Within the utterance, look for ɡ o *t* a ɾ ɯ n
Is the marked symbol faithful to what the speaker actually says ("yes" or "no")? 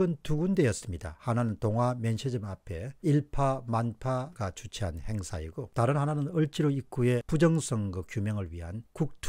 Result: yes